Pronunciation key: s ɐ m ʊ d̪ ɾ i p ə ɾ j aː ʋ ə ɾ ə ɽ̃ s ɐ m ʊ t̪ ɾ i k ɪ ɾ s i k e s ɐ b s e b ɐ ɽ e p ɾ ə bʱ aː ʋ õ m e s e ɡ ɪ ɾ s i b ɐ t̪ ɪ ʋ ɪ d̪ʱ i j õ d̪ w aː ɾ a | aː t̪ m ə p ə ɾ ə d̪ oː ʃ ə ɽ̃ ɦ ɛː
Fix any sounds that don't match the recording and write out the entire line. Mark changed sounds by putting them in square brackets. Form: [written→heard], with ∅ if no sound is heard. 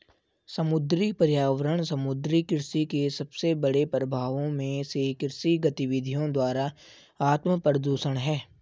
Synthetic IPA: s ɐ m ʊ d̪ ɾ i p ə ɾ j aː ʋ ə ɾ ə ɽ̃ s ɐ m ʊ [t̪→d̪] ɾ i k ɪ ɾ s i k e s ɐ b s e b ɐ ɽ e p ɾ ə bʱ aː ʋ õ m [e→ẽ] s e [ɡ→k] ɪ ɾ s i [b→ɡ] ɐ t̪ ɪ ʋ ɪ d̪ʱ i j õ d̪ w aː ɾ a | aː t̪ m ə p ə ɾ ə d̪ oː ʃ ə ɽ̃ ɦ ɛː

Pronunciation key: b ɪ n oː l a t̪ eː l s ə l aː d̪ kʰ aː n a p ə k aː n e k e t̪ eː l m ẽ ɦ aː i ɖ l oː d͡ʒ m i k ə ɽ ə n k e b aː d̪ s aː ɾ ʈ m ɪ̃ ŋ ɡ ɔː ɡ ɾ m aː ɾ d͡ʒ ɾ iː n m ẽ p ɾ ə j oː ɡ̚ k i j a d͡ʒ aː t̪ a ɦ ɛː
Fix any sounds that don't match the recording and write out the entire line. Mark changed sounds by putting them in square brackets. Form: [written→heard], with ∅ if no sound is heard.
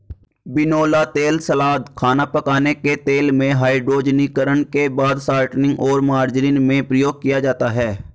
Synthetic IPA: b ɪ n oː l a t̪ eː l s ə l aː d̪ kʰ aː n a p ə k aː n e k e t̪ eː l m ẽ ɦ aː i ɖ [l→ɾ] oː d͡ʒ [m→n] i k ə [ɽ→ɾ] ə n k e b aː d̪ s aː ɾ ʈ [m→n] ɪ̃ ŋ ɡ ɔː [ɡ→∅] ɾ m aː ɾ d͡ʒ ɾ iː n m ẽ p ɾ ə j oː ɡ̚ k i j a d͡ʒ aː t̪ a ɦ ɛː

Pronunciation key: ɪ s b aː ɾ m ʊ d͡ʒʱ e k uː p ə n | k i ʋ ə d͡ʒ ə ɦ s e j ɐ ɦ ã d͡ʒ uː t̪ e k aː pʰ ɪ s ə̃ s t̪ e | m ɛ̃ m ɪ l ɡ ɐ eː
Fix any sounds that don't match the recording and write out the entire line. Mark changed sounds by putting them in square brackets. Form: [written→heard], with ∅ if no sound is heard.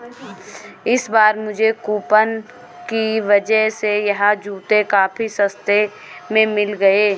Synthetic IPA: ɪ s b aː ɾ m ʊ d͡ʒʱ e k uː p ə n | k i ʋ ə d͡ʒ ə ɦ s e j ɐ ɦ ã d͡ʒ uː t̪ e k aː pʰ [ɪ→i] s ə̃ s t̪ e | m [ɛ̃→ẽ] m ɪ l ɡ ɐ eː

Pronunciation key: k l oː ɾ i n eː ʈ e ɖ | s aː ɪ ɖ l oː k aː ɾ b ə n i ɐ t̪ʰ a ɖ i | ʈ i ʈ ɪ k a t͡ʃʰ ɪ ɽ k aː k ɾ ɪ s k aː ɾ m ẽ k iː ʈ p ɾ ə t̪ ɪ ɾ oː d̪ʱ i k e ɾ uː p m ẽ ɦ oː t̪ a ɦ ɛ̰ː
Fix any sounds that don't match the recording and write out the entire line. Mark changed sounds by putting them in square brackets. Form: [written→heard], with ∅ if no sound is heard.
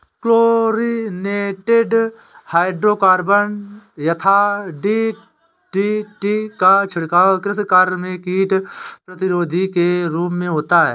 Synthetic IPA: k l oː ɾ i n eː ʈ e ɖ | [s→h] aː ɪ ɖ [l→ɾ] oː k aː ɾ b ə n [i→j] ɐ t̪ʰ a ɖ i | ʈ i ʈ [ɪ→i] k a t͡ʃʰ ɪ ɽ k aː k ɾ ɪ s k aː ɾ m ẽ k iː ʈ p ɾ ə t̪ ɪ ɾ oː d̪ʱ i k e ɾ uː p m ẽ ɦ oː t̪ a ɦ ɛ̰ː

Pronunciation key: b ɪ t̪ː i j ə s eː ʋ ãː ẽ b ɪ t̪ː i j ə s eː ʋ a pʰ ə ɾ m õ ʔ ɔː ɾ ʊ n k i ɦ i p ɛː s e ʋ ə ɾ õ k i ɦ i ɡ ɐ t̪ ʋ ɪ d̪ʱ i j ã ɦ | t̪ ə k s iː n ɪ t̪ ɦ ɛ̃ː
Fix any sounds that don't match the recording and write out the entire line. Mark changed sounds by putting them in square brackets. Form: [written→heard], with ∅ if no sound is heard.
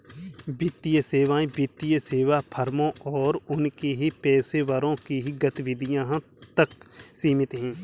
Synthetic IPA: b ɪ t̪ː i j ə s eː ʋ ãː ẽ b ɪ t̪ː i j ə s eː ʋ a pʰ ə ɾ m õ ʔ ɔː ɾ ʊ n k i ɦ i p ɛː s e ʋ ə ɾ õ k i ɦ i ɡ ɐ t̪ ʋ ɪ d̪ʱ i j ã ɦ | t̪ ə k s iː [n→m] ɪ t̪ ɦ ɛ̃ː

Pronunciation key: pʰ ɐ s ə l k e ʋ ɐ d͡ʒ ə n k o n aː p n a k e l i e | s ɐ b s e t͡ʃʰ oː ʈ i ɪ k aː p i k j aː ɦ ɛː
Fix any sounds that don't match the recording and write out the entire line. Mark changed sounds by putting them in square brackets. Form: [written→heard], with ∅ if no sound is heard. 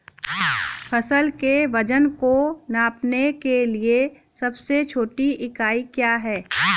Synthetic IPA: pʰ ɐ s ə l k e ʋ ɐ d͡ʒ ə n k o n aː p n [a→e] k e l i e | s ɐ b s e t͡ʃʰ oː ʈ i ɪ k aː [p→∅] i k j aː ɦ ɛː

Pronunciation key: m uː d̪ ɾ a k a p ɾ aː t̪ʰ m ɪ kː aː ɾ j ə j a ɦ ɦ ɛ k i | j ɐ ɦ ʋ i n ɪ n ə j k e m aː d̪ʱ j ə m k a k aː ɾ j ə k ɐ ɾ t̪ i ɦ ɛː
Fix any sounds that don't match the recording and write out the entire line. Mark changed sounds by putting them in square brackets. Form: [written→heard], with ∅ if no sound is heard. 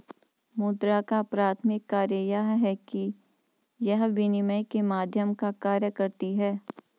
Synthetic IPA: m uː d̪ ɾ a k a p ɾ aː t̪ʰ m ɪ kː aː ɾ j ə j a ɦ ɦ ɛ k i | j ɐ ɦ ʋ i n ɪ [n→m] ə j k e m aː d̪ʱ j ə m k a k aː ɾ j ə k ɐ ɾ t̪ i ɦ ɛː

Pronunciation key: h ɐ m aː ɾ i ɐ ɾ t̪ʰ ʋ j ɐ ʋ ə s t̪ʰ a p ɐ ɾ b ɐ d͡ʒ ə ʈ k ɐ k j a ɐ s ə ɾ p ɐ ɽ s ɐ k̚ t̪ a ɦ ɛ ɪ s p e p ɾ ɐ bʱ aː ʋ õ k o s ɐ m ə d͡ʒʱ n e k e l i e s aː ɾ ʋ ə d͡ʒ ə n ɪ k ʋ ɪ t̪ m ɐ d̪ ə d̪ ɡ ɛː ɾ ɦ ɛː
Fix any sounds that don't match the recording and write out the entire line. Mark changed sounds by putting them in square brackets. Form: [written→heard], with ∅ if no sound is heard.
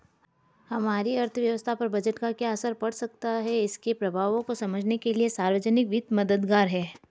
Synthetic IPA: h ɐ m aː ɾ i ɐ ɾ t̪ʰ ʋ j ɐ ʋ ə s t̪ʰ a p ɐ ɾ b ɐ d͡ʒ ə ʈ k [ɐ→a] k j a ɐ s ə ɾ p ɐ ɽ s ɐ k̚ t̪ a ɦ ɛ ɪ s [p→k] e p ɾ ɐ bʱ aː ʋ õ k o s ɐ m ə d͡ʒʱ n e k e l i e s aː ɾ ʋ ə d͡ʒ ə n ɪ k ʋ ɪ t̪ m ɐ d̪ ə d̪ ɡ [ɛː→aː] ɾ ɦ ɛː

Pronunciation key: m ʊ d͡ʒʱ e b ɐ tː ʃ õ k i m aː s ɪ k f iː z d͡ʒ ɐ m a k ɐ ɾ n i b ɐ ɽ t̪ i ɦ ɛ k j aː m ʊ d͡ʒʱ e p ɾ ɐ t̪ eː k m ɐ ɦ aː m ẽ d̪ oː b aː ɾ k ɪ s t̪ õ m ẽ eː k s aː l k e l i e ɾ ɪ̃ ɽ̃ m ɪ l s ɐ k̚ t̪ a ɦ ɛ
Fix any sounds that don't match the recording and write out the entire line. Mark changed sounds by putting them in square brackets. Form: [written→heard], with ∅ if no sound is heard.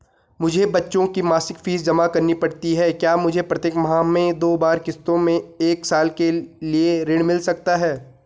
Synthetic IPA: m ʊ d͡ʒʱ e b ɐ tː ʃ õ k i m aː s ɪ k f iː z d͡ʒ ɐ m a k ɐ ɾ n i [b→p] ɐ ɽ t̪ i ɦ ɛ k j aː m ʊ d͡ʒʱ e p ɾ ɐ t̪ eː k m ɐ ɦ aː m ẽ d̪ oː b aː ɾ k ɪ s t̪ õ m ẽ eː k s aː l k e l i e ɾ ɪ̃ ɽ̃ m ɪ l s ɐ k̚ t̪ a ɦ [ɛ→ɛː]

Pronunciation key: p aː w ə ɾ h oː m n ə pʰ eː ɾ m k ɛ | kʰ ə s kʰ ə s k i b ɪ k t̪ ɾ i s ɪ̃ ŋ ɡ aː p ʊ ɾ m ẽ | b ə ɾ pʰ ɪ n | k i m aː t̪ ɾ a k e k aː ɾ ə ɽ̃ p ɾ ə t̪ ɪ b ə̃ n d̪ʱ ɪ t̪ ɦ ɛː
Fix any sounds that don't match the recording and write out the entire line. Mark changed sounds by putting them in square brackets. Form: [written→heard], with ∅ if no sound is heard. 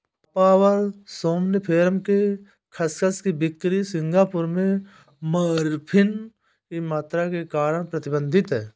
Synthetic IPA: p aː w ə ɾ [h→s] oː m n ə pʰ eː ɾ m k [ɛ→e] | kʰ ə s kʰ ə s k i b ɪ k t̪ ɾ i s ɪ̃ ŋ ɡ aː p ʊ ɾ m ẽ | [b→m] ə ɾ pʰ ɪ n | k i m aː t̪ ɾ a k e k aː ɾ ə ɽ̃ p ɾ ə t̪ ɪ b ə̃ n d̪ʱ ɪ t̪ ɦ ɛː

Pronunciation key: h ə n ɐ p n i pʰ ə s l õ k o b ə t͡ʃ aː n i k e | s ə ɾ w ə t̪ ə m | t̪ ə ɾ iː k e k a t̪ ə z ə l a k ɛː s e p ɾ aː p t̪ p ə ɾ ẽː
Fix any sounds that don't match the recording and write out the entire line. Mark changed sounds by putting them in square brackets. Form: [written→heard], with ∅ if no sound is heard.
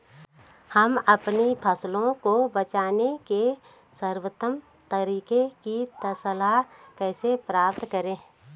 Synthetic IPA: h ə [n→m] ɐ p n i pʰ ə s l õ k o b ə t͡ʃ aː n [i→e] k e | s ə ɾ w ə t̪ ə m | t̪ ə ɾ iː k e k [a→i] t̪ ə [z→s] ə l a k ɛː s e p ɾ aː p t̪ [p→k] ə ɾ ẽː

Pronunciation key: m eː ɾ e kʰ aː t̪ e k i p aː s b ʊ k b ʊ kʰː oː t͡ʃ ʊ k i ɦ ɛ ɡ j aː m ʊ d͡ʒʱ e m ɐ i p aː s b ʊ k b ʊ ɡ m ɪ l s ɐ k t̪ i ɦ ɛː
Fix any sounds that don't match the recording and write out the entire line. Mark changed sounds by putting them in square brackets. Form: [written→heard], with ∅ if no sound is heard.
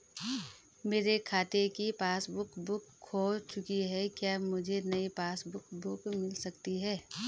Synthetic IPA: m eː ɾ e kʰ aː t̪ e k i p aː s b ʊ k b ʊ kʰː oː t͡ʃ ʊ k i ɦ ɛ [ɡ→k] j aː m ʊ d͡ʒʱ e [m→n] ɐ i p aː s b ʊ k b ʊ [ɡ→k] m ɪ l s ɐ k t̪ i ɦ ɛː

